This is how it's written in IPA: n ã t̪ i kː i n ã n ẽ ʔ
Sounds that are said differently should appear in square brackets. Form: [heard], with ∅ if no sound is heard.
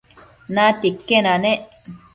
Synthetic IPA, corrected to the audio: n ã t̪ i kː [e] n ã n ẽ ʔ